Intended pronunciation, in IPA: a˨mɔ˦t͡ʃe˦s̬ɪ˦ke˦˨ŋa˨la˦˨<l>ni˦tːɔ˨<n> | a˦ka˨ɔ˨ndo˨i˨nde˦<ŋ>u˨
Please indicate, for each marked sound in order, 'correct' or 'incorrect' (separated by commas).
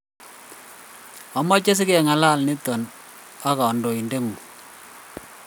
correct, correct, correct